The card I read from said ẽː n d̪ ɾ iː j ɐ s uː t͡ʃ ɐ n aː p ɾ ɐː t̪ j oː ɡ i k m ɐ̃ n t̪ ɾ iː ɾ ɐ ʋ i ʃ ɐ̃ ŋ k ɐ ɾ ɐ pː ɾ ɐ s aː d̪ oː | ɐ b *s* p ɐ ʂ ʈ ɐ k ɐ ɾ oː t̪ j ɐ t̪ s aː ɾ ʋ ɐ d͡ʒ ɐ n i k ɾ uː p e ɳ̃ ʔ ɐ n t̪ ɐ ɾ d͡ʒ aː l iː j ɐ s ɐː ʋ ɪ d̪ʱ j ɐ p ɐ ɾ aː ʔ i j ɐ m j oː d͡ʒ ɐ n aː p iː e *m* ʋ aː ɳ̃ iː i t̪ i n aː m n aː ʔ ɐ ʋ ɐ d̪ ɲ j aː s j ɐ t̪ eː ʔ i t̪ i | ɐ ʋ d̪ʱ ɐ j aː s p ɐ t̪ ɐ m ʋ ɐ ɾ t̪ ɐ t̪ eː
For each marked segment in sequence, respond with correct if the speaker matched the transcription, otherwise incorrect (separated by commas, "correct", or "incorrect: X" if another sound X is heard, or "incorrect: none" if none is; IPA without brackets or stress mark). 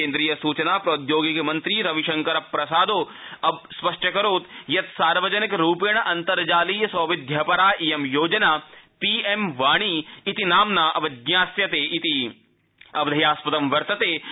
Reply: correct, correct